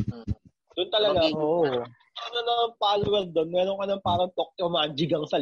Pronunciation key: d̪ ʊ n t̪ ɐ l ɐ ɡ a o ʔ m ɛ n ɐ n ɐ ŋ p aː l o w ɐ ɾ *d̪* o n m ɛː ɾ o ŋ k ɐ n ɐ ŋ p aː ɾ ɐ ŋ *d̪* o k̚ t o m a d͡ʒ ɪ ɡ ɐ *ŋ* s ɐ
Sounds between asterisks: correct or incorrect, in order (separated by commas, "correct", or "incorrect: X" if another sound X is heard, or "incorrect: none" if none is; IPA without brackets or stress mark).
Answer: correct, incorrect: t̪, correct